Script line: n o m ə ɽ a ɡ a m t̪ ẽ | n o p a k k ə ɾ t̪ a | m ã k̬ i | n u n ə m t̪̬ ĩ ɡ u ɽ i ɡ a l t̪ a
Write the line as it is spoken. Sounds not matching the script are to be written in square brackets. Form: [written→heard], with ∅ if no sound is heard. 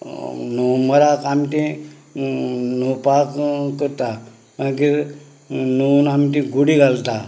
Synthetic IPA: n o m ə [ɽ→ɾ] a [ɡ→k] a m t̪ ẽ | n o p a k k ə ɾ t̪ a | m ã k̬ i | n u n [ə→a] m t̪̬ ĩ ɡ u ɽ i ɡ a l t̪ a